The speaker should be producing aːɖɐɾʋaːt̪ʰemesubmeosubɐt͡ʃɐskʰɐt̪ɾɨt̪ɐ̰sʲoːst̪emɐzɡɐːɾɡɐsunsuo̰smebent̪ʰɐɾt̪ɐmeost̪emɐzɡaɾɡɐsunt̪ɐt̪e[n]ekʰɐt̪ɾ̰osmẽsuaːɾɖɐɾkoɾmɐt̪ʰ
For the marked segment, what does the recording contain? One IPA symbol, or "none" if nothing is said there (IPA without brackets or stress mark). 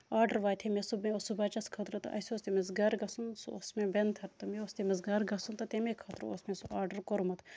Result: m